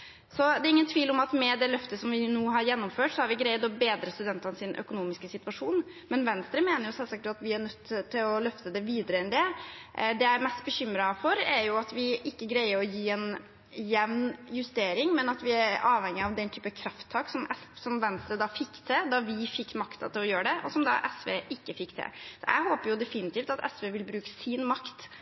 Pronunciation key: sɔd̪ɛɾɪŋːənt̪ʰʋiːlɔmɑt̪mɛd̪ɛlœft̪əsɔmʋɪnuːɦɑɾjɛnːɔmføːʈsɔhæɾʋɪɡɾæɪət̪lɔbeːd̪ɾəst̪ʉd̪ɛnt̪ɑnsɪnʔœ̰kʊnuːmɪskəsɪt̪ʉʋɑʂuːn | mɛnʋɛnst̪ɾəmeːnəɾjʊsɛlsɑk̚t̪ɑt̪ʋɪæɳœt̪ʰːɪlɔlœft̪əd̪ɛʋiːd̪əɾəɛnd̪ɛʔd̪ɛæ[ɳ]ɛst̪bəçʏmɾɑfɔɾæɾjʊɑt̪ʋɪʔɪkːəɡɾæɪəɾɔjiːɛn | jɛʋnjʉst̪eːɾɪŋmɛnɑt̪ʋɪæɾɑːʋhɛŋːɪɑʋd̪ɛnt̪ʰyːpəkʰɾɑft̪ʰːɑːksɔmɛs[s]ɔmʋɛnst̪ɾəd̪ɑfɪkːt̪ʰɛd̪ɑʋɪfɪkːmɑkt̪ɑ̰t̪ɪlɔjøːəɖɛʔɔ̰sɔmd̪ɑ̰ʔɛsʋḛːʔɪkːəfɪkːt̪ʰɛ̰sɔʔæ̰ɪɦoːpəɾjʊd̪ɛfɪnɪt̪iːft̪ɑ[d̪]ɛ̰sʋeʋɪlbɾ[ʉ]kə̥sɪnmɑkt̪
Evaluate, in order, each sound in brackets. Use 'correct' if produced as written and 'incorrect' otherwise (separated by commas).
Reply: incorrect, correct, incorrect, incorrect